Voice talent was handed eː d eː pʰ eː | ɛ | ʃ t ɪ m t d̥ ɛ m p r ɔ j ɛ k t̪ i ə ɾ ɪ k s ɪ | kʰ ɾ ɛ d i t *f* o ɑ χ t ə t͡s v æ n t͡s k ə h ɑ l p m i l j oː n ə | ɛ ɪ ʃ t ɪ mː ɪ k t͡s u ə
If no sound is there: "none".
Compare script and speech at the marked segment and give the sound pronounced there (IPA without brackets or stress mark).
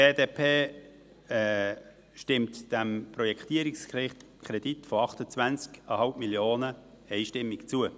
f